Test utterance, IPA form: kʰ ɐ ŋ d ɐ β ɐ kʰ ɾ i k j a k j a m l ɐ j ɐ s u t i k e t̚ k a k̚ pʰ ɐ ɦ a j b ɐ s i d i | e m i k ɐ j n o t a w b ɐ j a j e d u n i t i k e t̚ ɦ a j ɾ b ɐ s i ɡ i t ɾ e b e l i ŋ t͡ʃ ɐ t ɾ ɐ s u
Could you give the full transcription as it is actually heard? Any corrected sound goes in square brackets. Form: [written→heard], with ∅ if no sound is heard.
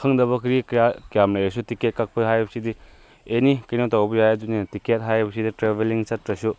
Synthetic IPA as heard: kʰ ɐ ŋ d ɐ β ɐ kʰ ɾ i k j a k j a m l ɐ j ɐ s u t i k e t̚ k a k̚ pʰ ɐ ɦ a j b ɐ s i d i | e [m→n] i k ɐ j n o t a w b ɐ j a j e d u n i t i k e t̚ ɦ a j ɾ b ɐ s i [ɡ→d] i t ɾ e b e l i ŋ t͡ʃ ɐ t ɾ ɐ s u

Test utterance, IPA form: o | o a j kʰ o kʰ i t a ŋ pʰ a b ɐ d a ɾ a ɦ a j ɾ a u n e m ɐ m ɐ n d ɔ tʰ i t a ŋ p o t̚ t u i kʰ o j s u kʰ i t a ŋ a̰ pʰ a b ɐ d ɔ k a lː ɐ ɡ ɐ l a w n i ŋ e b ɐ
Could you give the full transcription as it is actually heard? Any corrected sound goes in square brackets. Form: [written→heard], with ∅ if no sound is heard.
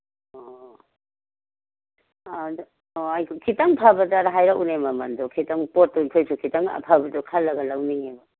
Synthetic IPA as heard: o | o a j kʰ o kʰ i t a ŋ pʰ a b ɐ d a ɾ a ɦ a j ɾ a u n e m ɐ m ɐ n d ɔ [tʰ→kʰ] i t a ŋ p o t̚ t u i kʰ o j s u kʰ i t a ŋ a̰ pʰ a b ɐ d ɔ [k→kʰ] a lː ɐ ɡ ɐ l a w n i ŋ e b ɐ

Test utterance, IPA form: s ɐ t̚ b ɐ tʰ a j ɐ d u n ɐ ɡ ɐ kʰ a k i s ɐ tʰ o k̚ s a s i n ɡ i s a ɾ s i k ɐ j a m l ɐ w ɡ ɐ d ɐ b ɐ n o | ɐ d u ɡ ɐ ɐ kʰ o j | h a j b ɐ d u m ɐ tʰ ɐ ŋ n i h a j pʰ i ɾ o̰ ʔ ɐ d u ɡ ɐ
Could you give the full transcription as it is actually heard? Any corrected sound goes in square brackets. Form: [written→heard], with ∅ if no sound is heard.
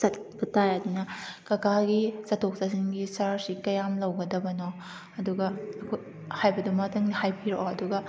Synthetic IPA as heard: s ɐ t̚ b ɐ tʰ a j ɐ d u n ɐ [ɡ→k] ɐ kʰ a [k→ɡ] i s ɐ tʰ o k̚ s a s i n ɡ i s a ɾ s i k ɐ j a m l ɐ w ɡ ɐ d ɐ b ɐ n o | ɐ d u ɡ ɐ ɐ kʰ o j | h a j b ɐ d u m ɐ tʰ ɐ ŋ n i h a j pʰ i ɾ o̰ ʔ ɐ d u ɡ ɐ

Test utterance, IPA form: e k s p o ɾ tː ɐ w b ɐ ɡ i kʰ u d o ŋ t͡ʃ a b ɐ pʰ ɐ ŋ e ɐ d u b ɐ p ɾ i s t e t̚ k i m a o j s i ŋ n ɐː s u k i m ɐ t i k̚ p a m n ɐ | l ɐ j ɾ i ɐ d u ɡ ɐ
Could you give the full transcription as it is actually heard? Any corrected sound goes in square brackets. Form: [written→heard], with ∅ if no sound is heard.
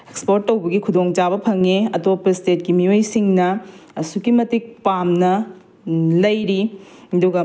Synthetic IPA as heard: e k s p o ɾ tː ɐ w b ɐ ɡ i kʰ u d o ŋ t͡ʃ a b ɐ pʰ ɐ ŋ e ɐ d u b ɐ p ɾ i s t e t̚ k i m [a→i] o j s i ŋ n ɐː s u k i m ɐ t i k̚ p a m n ɐ | l ɐ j ɾ i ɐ d u ɡ ɐ

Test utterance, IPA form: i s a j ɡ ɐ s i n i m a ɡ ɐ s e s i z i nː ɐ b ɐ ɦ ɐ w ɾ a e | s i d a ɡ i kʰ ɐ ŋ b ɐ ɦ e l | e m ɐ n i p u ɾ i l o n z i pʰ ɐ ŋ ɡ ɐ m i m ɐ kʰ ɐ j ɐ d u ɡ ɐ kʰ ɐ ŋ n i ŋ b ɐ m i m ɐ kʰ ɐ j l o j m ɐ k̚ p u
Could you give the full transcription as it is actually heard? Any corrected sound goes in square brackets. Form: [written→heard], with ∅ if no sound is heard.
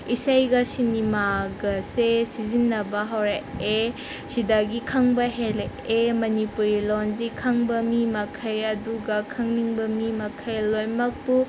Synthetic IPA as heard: i s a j ɡ ɐ s i n i m a ɡ ɐ s e s i z i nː ɐ b ɐ ɦ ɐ w ɾ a e | s i d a ɡ i kʰ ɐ ŋ b ɐ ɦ e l | e m ɐ n i p u ɾ i l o n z i [pʰ→kʰ] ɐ ŋ [ɡ→b] ɐ m i m ɐ kʰ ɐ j ɐ d u ɡ ɐ kʰ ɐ ŋ n i ŋ b ɐ m i m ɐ kʰ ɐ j l o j m ɐ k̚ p u

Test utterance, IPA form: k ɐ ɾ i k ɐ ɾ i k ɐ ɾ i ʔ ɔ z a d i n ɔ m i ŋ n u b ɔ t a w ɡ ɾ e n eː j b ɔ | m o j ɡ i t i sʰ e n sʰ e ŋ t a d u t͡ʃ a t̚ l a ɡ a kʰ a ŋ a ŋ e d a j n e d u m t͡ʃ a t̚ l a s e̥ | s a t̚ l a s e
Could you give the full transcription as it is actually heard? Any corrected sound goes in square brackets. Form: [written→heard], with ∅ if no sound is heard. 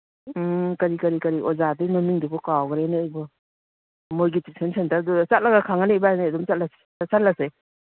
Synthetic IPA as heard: k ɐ ɾ i k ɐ ɾ i k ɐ ɾ i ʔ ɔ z a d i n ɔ m i ŋ [n→d] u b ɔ [t→k] a w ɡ ɾ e n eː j b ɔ | m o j ɡ i t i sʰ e n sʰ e [ŋ→n] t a d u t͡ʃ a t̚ l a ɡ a kʰ a ŋ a [ŋ→n] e [d→b] a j n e d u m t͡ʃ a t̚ l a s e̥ | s a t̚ l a s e

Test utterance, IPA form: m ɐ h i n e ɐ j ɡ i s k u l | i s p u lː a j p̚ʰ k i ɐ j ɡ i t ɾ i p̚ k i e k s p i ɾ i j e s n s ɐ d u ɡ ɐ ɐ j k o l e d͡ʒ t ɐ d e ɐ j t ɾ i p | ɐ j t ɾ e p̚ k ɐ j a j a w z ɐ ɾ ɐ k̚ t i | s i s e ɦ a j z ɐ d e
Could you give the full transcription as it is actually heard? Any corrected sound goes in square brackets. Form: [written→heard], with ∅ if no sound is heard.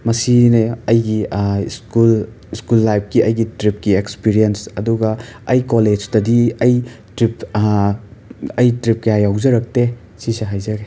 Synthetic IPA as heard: m ɐ [h→s] i n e ɐ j ɡ i s k u l | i s [p→k] u lː a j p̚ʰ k i ɐ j ɡ i t ɾ i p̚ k i e k s p i ɾ i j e [s→∅] n s ɐ d u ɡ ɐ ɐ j k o l e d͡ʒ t ɐ d [e→i] ɐ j t ɾ i p | ɐ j t ɾ [e→i] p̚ k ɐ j a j a w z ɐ ɾ ɐ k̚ t [i→e] | s i s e ɦ a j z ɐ [d→ɡ] e

